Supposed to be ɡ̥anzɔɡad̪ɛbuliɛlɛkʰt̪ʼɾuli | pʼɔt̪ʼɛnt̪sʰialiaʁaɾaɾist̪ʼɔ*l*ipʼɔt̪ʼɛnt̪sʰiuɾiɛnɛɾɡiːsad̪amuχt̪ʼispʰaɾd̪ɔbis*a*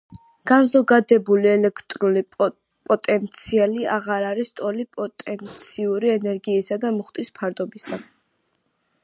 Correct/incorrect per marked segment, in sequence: correct, correct

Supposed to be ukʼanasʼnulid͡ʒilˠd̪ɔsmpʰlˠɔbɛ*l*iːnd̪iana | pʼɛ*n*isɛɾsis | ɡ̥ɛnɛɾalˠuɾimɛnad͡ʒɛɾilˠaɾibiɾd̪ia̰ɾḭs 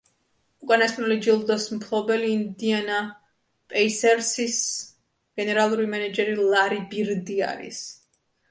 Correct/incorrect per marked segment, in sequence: correct, incorrect

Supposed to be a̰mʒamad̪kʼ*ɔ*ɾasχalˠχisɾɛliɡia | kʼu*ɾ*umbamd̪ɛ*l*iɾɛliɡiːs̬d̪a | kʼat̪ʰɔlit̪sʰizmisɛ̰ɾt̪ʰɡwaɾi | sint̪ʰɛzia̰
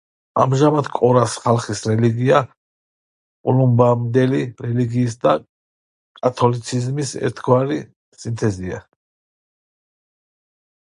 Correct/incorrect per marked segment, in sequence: correct, incorrect, correct

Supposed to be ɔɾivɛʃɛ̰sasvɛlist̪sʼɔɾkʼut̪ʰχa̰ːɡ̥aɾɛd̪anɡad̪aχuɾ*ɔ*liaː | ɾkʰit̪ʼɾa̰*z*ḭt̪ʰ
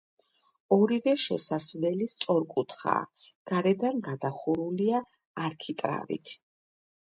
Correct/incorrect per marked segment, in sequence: incorrect, incorrect

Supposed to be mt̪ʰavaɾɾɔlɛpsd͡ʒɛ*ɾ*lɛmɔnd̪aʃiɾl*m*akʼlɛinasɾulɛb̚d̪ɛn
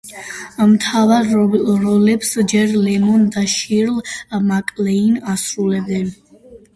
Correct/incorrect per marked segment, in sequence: correct, correct

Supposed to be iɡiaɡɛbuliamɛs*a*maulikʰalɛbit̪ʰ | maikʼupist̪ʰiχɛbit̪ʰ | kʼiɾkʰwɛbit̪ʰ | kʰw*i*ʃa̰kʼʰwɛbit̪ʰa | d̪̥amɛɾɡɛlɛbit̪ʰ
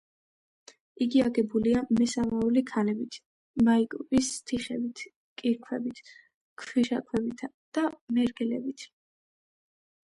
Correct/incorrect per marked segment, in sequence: correct, correct

